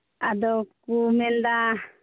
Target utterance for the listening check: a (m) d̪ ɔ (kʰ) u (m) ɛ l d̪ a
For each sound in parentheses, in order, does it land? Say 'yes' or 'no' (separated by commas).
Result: no, no, yes